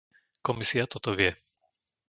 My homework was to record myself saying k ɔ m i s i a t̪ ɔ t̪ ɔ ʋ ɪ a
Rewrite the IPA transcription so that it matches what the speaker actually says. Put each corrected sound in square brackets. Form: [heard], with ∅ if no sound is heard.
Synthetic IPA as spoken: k ɔ m i s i a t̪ ɔ t̪ ɔ ʋ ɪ [ɛ]